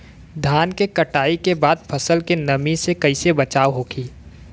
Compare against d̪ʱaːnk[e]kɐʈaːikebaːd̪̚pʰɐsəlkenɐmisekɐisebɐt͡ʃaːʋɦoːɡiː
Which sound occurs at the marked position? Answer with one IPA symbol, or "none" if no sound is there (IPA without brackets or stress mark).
e